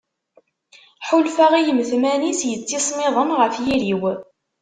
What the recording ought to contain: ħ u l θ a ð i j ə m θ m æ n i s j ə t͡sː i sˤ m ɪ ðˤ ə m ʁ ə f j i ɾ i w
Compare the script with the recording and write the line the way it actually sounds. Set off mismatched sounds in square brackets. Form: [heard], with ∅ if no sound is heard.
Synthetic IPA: ħ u l [f] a [ʁ] i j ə m θ m æ n i s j ə t͡sː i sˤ m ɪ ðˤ ə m ʁ ə f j i ɾ i w